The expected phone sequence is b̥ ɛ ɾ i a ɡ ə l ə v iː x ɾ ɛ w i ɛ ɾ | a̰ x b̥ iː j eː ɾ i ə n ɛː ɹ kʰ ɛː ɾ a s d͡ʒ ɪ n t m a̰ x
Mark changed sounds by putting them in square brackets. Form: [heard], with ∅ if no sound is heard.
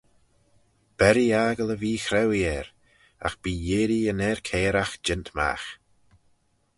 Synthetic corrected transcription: b̥ ɛ ɾ i a ɡ ə l ə v iː x ɾ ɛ w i ɛ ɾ | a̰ x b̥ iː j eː ɾ i ə n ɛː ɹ kʰ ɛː ɾ a [x] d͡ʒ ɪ n t m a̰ x

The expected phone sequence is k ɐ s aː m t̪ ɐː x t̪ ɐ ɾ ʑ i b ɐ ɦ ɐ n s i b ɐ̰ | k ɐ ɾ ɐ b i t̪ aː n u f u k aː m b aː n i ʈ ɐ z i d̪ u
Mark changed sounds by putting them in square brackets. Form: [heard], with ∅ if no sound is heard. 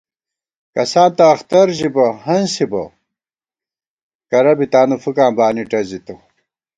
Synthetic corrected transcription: k ɐ s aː [n] t̪ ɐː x t̪ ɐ ɾ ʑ i b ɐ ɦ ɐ n s i b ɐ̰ | k ɐ ɾ ɐ b i t̪ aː n u f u k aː m b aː n i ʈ ɐ z i [t̪] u

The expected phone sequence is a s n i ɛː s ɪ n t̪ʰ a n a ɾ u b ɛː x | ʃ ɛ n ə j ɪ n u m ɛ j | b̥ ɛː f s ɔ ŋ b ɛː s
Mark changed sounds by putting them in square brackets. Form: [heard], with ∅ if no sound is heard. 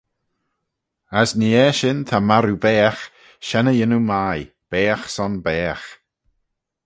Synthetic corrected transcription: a s n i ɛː [ʃ] ɪ n t̪ʰ a [m] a ɾ u b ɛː x | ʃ ɛ n ə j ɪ n u m [a] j | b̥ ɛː [x] s ɔ [n] b ɛː [x]

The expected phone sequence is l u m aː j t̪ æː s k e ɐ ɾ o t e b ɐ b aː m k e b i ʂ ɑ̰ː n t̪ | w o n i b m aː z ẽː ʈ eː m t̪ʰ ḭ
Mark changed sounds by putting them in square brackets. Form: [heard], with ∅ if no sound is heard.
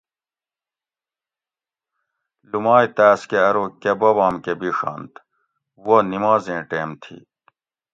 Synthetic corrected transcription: l u m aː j t̪ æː s k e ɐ ɾ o [k] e b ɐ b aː m k e b i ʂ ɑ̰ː n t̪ | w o n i [∅] m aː z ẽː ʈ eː m t̪ʰ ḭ

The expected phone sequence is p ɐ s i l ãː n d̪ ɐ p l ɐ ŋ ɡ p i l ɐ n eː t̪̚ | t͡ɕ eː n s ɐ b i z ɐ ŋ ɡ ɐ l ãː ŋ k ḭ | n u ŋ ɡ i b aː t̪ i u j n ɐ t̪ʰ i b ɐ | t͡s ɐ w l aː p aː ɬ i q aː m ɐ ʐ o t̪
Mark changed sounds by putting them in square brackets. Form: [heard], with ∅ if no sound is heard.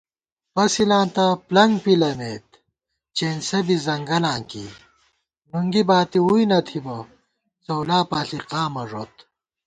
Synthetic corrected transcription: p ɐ s i l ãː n [t̪] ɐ p l ɐ ŋ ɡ p i l ɐ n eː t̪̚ | t͡ɕ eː n s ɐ b i z ɐ ŋ ɡ ɐ l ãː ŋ k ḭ | n u ŋ ɡ i b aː t̪ i u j n ɐ t̪ʰ i b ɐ | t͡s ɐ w l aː p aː ɬ i q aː m ɐ ʐ o t̪

